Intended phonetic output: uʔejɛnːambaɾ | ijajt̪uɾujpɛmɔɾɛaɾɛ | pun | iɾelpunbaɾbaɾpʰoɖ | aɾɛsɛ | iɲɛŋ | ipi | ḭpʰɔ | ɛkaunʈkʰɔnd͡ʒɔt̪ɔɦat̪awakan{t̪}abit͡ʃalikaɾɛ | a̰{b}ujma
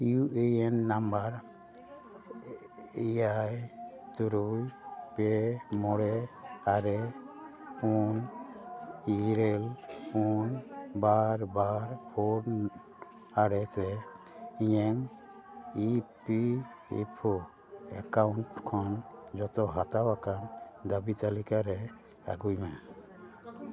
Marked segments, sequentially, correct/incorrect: incorrect: d̪, incorrect: ɡ

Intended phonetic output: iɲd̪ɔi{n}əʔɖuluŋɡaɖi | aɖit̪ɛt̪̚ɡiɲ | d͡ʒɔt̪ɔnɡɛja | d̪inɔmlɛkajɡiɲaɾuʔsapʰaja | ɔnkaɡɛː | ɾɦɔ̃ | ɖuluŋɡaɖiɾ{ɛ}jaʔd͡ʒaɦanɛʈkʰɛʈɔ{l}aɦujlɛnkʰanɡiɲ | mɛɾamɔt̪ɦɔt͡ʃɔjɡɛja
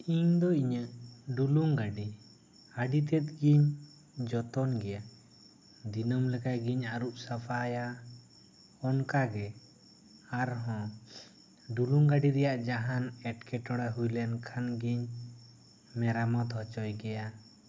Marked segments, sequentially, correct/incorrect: incorrect: ɲ, correct, incorrect: ɽ

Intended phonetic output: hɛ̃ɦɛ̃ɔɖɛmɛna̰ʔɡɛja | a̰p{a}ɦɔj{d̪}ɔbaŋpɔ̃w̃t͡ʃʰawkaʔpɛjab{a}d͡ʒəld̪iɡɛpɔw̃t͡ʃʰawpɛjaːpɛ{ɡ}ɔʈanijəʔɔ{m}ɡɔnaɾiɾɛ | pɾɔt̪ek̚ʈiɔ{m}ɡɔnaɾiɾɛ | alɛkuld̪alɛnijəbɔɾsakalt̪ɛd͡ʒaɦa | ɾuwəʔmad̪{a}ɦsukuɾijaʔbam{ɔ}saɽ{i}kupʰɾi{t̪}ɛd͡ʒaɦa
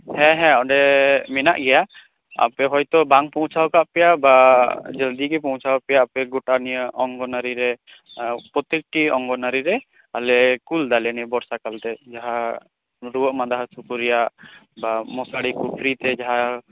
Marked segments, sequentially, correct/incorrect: incorrect: ɛ, incorrect: t̪, correct, correct, incorrect: ŋ, incorrect: ŋ, correct, correct, correct, correct

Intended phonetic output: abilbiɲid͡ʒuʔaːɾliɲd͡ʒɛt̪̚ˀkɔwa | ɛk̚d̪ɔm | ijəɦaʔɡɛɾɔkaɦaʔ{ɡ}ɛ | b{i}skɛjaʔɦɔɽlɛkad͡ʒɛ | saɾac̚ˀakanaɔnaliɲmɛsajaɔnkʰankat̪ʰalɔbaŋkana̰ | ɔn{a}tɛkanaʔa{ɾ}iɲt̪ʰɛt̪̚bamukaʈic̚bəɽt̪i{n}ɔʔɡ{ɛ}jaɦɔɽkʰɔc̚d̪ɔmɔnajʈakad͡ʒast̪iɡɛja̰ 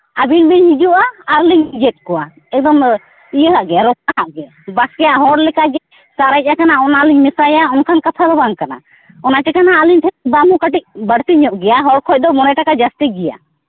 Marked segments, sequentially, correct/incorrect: correct, incorrect: a, correct, incorrect: l, incorrect: ɲ, correct

